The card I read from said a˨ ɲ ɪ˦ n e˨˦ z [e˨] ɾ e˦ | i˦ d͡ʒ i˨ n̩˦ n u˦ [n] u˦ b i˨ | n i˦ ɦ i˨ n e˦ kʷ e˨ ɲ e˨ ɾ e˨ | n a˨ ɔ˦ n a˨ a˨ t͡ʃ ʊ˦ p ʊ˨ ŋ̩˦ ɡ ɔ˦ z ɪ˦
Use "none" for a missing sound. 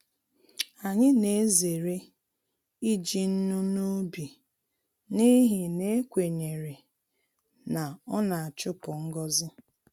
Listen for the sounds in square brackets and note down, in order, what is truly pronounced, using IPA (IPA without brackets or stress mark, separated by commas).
e˨, n